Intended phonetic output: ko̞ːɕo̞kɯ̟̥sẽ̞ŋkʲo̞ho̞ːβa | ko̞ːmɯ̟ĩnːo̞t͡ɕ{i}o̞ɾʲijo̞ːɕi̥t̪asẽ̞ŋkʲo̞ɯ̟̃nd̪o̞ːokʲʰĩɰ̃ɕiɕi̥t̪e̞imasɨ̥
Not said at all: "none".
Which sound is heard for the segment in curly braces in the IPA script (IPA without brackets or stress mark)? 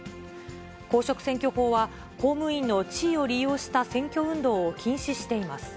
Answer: iː